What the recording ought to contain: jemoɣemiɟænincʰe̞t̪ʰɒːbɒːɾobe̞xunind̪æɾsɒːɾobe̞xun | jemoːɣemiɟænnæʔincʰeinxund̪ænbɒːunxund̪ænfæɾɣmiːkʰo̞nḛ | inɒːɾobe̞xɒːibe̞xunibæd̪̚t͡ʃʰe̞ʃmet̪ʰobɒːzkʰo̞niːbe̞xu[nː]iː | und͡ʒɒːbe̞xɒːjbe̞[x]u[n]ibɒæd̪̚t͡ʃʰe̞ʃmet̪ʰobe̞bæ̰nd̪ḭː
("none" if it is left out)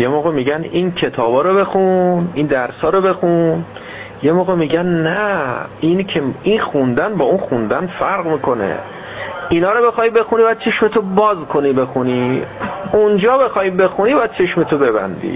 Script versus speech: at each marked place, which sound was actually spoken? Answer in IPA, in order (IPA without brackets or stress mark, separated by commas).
n, x, n